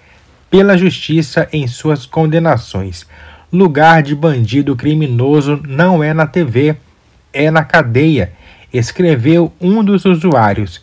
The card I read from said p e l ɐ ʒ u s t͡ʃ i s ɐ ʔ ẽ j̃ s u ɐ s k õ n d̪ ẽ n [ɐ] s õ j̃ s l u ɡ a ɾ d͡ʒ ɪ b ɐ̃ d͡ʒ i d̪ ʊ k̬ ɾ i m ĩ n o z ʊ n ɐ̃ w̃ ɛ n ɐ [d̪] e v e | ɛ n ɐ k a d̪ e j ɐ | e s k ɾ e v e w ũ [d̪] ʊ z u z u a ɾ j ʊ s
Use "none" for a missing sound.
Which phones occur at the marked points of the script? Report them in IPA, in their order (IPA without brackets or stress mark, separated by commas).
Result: a, t̪, d̪